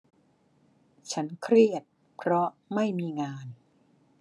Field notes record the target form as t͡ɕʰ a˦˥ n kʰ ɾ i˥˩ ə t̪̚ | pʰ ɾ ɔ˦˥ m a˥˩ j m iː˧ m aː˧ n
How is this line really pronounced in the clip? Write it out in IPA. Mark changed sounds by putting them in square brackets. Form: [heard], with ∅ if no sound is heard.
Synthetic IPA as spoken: t͡ɕʰ a˦˥ n kʰ ɾ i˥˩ ə t̪̚ | pʰ ɾ ɔ˦˥ m a˥˩ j m iː˧ [ŋ] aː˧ n